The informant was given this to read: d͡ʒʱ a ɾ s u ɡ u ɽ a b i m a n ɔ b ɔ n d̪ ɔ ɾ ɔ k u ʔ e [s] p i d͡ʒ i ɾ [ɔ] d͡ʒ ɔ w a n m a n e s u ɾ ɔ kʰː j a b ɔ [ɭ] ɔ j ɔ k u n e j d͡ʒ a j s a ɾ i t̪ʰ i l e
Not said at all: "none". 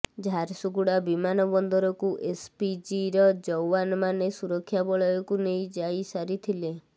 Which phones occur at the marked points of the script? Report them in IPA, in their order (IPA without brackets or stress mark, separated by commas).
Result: s, ɔ, ɭ